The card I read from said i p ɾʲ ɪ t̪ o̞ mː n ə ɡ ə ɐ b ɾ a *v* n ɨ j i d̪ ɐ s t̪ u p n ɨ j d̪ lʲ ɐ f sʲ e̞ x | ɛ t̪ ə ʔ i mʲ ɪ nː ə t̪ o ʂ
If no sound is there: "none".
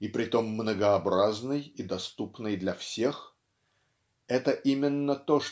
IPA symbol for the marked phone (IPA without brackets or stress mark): z